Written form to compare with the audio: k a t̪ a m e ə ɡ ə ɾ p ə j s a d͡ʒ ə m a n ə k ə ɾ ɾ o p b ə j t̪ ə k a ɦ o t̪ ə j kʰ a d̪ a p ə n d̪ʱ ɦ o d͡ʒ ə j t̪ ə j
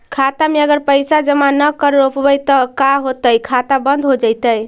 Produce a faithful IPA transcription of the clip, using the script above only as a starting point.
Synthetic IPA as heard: kʰ a t̪ a m e ə ɡ ə ɾ p ə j s a d͡ʒ ə m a n ə k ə ɾ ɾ o p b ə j t̪ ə k a ɦ o t̪ ə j kʰ a t̪ a b ə n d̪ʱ ɦ o d͡ʒ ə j t̪ ə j